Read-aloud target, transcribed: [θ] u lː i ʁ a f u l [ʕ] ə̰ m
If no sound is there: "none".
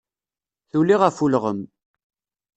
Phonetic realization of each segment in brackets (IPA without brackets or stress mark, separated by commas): θ, ʁ